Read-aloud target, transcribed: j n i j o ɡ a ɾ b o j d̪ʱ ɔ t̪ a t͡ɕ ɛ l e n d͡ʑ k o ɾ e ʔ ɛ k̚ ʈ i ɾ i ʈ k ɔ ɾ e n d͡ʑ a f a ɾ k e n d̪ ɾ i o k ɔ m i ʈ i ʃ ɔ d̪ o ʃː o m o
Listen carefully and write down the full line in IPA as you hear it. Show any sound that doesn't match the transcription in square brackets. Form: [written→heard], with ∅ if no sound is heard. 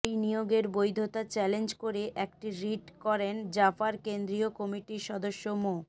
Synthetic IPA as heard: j n i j o ɡ [a→e] ɾ b o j d̪ʱ [ɔ→o] t̪ a t͡ɕ ɛ l e n d͡ʑ k o ɾ e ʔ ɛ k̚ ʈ i ɾ i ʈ k ɔ ɾ e n d͡ʑ a f a ɾ k e n d̪ ɾ i o k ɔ m i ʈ i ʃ ɔ d̪ o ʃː o m o